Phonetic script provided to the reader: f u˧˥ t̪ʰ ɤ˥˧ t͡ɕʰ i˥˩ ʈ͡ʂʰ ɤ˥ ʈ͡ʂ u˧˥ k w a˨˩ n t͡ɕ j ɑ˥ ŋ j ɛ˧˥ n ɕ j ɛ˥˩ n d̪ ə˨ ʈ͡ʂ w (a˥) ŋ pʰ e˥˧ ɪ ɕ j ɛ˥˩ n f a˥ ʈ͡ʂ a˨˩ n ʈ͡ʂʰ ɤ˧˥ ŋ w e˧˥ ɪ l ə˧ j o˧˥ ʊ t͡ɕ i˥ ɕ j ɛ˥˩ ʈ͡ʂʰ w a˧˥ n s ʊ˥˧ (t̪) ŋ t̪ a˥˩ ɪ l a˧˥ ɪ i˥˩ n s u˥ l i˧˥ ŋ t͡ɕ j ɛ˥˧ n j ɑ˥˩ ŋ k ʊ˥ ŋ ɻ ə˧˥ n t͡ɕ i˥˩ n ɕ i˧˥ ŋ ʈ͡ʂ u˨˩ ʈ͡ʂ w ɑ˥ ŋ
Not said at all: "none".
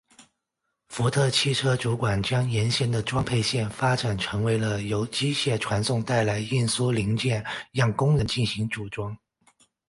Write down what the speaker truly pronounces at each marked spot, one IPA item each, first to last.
ɑ˥, none

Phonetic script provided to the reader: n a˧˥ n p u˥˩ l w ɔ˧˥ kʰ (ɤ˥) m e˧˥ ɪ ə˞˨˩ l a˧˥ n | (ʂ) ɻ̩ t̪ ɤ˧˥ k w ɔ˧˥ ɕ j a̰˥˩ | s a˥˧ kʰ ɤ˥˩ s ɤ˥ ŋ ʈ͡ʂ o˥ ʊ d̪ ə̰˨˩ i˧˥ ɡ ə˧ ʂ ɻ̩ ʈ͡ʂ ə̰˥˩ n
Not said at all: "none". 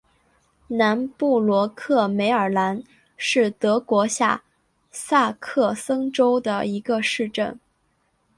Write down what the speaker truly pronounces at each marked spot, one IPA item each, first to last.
ɤ˥˩, ʂ

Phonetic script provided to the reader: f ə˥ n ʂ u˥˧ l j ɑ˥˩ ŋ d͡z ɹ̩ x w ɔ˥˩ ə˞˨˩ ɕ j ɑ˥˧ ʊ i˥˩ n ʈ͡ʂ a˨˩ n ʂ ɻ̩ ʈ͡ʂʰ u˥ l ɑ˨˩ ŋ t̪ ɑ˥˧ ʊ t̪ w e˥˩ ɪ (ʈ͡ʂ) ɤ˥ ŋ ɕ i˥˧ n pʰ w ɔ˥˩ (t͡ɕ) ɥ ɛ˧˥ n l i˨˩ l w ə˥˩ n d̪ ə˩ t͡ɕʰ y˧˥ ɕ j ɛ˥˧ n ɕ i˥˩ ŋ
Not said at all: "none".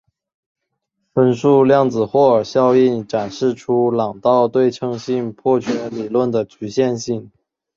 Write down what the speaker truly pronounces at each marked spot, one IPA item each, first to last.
ʈ͡ʂʰ, t͡ɕʰ

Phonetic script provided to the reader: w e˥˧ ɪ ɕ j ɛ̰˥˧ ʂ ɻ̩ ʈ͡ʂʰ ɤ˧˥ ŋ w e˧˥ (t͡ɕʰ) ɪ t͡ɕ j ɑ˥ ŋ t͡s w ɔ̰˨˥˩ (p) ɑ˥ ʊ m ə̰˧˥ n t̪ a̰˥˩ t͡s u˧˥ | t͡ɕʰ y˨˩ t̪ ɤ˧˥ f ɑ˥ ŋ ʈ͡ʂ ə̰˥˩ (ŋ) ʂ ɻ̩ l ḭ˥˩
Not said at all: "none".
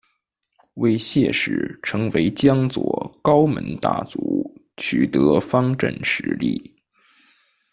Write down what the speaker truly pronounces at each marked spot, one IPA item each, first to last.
none, k, n

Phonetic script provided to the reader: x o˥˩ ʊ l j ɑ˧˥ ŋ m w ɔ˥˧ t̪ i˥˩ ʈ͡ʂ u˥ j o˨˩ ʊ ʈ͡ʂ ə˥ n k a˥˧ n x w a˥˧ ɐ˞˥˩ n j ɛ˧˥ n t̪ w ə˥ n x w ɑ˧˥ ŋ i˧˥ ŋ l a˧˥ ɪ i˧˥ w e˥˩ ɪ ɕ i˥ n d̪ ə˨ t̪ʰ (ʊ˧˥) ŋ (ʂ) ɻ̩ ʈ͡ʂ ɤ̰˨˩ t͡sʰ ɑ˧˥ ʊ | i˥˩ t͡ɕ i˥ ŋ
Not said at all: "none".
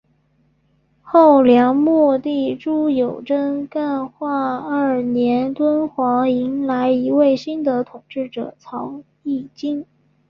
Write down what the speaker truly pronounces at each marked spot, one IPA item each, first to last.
ʊ˨˩, ʈ͡ʂ

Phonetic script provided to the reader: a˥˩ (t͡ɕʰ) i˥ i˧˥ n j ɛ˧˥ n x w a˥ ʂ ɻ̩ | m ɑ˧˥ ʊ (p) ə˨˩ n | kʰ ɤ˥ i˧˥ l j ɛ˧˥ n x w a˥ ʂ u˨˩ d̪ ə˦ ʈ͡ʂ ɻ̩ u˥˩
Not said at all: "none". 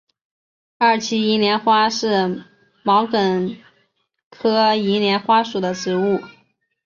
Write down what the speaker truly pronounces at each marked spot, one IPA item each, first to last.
t͡ɕʰ, k

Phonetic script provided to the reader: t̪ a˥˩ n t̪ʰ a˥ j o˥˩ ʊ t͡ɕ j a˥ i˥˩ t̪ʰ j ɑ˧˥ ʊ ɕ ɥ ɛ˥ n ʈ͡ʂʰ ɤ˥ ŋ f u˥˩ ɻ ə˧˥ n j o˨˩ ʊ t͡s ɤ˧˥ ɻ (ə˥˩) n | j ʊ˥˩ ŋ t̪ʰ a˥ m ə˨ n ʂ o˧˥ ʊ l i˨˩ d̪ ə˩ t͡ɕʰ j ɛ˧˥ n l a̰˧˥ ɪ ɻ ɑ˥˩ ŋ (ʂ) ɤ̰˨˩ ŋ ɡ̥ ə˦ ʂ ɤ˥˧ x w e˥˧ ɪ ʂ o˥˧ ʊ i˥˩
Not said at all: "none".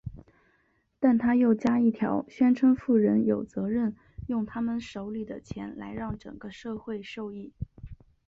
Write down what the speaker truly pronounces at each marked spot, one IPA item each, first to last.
ə˥˩, ʈ͡ʂ

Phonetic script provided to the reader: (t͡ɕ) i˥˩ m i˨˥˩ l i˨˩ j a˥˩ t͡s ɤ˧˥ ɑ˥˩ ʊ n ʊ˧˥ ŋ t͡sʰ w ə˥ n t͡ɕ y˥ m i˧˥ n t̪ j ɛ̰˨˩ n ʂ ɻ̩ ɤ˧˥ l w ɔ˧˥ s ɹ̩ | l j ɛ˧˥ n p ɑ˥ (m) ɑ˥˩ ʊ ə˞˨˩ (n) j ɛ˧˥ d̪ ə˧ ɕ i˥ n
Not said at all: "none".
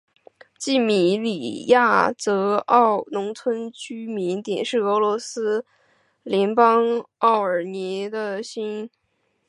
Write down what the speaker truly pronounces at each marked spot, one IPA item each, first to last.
t͡ɕ, ŋ, n

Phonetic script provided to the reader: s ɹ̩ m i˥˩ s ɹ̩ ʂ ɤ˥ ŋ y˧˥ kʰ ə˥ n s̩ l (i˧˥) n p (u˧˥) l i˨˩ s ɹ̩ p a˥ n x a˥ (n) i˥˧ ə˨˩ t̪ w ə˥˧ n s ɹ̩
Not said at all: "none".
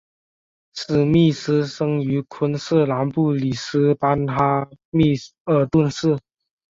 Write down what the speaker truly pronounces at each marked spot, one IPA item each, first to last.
a˧˥, u˥˩, m

